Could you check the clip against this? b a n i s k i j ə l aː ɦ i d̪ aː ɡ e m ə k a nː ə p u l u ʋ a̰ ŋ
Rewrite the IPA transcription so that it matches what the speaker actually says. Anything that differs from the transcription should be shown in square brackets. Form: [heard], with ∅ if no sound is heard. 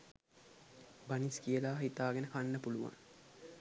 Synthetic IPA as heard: b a n i s k i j ə l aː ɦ i [t̪] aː ɡ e [n] ə k a nː ə p u l u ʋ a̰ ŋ